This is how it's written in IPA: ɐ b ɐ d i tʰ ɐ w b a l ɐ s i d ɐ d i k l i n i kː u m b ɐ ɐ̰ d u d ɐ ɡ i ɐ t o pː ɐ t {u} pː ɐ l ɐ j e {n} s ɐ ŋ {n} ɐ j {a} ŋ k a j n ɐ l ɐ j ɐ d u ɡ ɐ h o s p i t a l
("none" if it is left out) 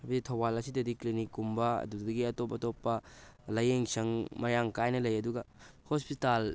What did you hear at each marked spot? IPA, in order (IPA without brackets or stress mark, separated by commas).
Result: o, ŋ, m, a